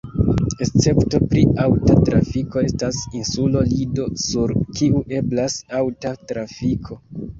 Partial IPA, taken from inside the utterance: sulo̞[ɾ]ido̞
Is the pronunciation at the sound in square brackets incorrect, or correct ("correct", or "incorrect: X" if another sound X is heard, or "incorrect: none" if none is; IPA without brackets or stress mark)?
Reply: incorrect: l